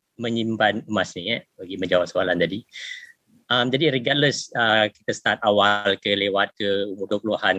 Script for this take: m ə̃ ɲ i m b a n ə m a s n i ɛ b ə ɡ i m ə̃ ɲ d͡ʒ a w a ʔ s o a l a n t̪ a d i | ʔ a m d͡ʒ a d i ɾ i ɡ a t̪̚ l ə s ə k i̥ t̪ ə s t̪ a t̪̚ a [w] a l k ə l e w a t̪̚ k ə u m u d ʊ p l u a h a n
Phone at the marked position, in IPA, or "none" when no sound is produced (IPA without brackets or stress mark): w